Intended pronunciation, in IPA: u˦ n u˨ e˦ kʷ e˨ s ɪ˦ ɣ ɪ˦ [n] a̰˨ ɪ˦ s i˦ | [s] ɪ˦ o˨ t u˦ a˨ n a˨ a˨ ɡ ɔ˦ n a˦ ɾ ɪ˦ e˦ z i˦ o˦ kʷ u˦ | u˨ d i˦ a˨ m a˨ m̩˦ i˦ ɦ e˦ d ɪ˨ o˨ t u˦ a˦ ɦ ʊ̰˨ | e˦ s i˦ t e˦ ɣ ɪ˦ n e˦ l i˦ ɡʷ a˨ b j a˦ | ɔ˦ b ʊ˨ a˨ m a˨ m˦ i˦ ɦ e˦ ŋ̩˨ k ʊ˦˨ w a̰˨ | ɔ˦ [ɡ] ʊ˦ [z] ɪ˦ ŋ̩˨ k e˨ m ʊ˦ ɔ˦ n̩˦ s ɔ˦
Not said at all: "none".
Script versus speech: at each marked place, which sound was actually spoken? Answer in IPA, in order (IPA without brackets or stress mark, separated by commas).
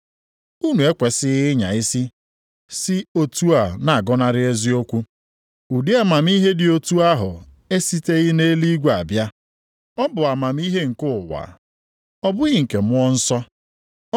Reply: ɲ, s, b, ɣ